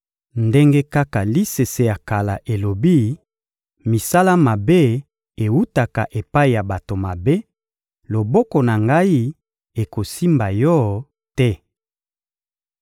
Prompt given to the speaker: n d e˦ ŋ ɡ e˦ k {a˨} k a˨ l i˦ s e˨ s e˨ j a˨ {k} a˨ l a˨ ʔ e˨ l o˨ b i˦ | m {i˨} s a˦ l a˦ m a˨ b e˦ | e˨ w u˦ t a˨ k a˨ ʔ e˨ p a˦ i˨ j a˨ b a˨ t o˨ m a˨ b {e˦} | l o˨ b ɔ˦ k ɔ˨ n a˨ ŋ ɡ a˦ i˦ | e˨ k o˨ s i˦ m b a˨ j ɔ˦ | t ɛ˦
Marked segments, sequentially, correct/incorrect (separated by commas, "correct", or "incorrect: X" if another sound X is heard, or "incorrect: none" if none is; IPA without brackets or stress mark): incorrect: a˦, correct, correct, correct